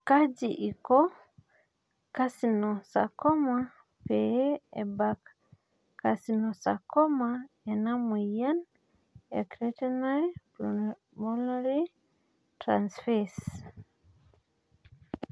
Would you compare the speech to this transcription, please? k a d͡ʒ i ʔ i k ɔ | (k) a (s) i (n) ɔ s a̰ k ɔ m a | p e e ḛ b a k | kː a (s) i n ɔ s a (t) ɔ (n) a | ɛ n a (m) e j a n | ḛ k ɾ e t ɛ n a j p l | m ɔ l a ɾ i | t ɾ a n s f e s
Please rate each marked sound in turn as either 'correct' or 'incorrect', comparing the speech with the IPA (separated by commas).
correct, correct, correct, correct, incorrect, incorrect, correct